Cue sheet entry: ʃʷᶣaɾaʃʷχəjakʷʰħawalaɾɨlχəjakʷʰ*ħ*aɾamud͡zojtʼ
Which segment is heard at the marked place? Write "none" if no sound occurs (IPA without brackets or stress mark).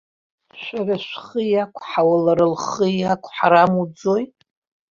ħ